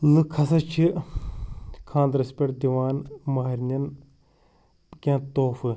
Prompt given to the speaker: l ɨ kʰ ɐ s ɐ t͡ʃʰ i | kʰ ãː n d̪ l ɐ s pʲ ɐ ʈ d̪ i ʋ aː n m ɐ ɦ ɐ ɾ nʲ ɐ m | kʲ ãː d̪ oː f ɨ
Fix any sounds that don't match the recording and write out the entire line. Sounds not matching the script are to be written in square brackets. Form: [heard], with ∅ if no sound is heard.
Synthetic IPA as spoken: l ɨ kʰ ɐ s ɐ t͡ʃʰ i | kʰ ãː n d̪ [ɾ] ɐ s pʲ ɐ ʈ d̪ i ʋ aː n m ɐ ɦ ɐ ɾ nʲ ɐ [n] | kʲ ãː [t̪] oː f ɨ